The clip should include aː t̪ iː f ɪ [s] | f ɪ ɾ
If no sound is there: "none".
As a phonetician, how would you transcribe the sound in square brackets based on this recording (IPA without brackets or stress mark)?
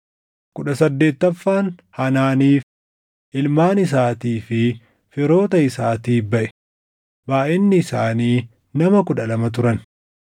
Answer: none